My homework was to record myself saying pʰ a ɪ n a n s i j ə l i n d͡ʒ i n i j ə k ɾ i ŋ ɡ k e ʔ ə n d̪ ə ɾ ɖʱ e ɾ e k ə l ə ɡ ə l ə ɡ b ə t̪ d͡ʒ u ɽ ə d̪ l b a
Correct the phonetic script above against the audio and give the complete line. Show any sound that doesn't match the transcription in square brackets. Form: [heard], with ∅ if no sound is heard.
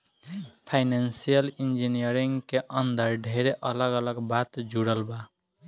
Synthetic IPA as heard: pʰ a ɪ n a n s i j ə l i n d͡ʒ i n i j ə [∅] ɾ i ŋ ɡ k e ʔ ə n d̪ ə ɾ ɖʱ e ɾ e [ʔ] ə l ə ɡ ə l ə ɡ b [a] t̪ d͡ʒ u ɽ ə [∅] l b a